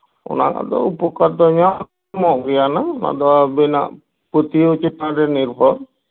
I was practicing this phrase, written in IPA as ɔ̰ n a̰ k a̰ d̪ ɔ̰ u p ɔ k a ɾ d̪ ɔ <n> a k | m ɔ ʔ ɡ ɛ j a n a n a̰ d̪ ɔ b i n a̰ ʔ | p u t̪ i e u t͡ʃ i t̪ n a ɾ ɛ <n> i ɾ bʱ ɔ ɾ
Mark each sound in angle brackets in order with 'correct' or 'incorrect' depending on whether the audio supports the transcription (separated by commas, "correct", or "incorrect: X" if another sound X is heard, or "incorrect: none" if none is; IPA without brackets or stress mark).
incorrect: ɲ, correct